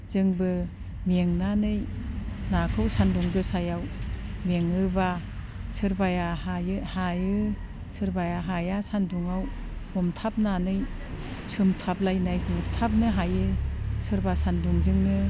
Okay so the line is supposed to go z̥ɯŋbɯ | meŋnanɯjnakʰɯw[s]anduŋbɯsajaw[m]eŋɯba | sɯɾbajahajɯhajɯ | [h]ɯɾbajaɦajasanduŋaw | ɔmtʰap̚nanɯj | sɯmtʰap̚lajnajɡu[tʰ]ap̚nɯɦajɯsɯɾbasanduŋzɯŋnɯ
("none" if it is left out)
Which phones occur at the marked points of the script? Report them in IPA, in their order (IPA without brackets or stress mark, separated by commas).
s, m, s, tʰ